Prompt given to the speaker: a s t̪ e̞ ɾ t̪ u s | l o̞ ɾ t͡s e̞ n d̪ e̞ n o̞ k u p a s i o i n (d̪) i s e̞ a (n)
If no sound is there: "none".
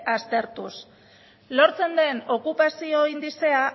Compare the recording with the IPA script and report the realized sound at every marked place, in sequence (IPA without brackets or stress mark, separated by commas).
d̪, none